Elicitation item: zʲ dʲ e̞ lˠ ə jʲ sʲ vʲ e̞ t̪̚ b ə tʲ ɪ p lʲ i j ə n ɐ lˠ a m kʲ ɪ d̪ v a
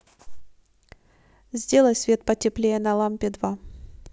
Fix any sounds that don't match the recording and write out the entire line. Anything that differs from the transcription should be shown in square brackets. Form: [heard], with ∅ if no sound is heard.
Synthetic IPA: zʲ dʲ e̞ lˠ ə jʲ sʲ vʲ e̞ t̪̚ [p] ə tʲ ɪ p lʲ [e] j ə n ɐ lˠ a m [pʲ] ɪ d̪ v a

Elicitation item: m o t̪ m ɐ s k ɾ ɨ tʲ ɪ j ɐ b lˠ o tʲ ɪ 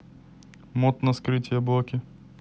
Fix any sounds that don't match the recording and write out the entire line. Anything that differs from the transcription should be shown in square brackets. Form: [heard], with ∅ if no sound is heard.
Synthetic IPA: m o t̪ [n] ɐ s k ɾ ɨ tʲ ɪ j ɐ b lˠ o [kʲ] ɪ

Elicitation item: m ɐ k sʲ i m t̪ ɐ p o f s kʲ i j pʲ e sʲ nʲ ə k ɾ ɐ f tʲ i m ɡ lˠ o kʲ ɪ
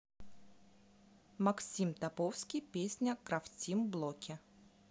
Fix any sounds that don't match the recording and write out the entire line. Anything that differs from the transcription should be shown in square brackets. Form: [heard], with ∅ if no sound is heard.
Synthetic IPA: m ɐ k sʲ i m t̪ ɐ p o f s kʲ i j pʲ e sʲ nʲ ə k ɾ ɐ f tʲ i m [b] lˠ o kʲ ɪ

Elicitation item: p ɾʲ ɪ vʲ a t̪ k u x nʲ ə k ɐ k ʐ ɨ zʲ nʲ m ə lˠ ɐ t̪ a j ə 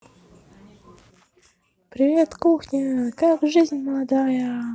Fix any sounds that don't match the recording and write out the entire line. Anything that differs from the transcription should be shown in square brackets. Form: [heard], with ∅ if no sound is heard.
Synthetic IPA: p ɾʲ ɪ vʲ [e] t̪ k u x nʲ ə k [a] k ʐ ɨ zʲ nʲ m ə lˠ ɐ [d̪] a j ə

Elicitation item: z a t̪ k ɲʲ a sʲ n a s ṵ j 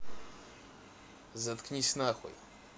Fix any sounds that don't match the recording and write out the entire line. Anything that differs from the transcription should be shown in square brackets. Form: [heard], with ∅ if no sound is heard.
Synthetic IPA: z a t̪ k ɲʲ [i] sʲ n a [x] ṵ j

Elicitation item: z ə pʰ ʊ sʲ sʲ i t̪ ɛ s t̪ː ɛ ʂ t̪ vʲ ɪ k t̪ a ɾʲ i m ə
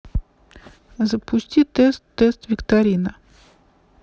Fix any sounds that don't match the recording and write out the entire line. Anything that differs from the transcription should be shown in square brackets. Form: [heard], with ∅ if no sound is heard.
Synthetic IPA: z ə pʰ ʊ sʲ [tʲ] i t̪ ɛ s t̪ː ɛ [s] t̪ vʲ ɪ k t̪ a ɾʲ i [n] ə

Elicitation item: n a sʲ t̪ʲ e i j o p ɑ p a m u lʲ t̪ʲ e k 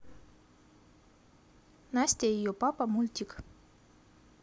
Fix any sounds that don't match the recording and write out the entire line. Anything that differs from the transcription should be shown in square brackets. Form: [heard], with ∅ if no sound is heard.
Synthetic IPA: n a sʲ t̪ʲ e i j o p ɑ p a m u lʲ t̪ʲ [i] k

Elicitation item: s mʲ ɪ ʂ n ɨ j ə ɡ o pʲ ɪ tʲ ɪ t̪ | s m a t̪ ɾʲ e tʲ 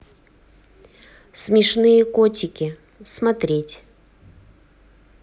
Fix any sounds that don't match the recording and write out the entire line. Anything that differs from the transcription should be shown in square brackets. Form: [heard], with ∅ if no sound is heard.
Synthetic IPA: s mʲ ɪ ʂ n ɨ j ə [k] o [tʲ] ɪ [kʲ] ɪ [∅] | s m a t̪ ɾʲ e tʲ

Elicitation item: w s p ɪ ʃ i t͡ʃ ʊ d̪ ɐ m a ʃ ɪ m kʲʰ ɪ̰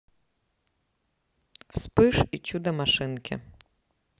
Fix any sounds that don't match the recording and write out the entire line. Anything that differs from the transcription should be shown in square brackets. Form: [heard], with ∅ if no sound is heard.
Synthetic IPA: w s p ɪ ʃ i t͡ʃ [u] d̪ ɐ m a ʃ ɪ [n] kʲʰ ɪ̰

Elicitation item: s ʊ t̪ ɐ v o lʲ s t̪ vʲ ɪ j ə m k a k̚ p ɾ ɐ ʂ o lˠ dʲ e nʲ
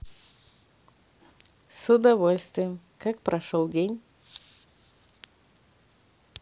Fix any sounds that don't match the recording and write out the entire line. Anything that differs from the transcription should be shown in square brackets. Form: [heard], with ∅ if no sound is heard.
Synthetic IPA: s ʊ [d̪] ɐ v o lʲ s t̪ vʲ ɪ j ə m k a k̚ p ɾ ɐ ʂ o lˠ dʲ e nʲ

